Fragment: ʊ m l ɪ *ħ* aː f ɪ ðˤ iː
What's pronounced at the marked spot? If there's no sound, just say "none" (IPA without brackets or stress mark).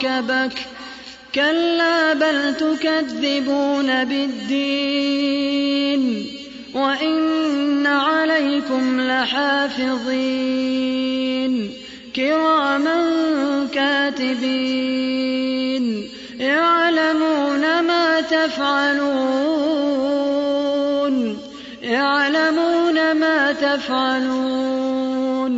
ħ